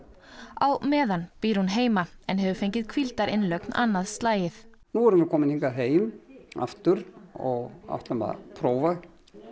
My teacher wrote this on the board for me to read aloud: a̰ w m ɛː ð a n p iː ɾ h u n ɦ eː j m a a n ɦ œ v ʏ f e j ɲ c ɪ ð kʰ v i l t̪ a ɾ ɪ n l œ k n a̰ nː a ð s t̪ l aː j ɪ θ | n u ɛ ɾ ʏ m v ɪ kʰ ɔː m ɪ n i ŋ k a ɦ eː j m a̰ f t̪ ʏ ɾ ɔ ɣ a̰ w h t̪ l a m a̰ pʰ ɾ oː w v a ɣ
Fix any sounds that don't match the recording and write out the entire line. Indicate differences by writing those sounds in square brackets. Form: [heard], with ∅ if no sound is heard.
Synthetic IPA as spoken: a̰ w m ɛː ð a n p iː ɾ h u n ɦ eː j m a [ɛ] n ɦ [ɛ] v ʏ f e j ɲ c ɪ ð kʰ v i l t̪ a ɾ ɪ n l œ k n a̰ nː a ð s t̪ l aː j ɪ θ | n u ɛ ɾ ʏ m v ɪ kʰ ɔː m ɪ n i ŋ k a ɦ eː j m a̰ f t̪ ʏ ɾ ɔ ɣ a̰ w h t̪ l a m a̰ pʰ ɾ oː w v a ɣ